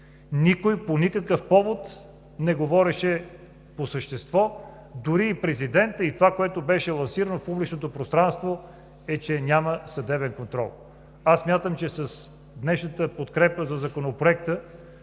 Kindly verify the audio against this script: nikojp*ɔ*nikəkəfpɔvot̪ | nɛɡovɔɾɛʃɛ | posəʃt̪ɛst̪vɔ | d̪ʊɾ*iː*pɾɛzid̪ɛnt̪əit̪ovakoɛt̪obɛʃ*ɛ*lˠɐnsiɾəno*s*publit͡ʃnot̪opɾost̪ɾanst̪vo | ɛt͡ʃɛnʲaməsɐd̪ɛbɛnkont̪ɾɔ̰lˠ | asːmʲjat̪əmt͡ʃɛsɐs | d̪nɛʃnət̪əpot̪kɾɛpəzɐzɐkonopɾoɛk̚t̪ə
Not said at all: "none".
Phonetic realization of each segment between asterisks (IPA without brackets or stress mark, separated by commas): o, iː, ɛ, f